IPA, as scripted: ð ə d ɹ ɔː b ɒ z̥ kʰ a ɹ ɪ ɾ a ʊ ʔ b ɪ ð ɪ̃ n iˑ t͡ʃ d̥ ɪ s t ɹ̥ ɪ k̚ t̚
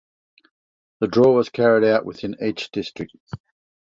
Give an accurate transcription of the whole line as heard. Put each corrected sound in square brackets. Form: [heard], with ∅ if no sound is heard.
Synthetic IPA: ð ə d ɹ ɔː [w] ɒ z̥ kʰ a ɹ ɪ ɾ a ʊ ʔ [w] ɪ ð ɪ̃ n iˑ t͡ʃ d̥ ɪ s t ɹ̥ ɪ k̚ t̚